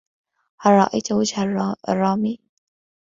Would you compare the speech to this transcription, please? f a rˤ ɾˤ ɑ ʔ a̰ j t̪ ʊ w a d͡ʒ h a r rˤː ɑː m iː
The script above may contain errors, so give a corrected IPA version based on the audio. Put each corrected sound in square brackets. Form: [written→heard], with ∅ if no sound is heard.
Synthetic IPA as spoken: [f→h] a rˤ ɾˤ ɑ ʔ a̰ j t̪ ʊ w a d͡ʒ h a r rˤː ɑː m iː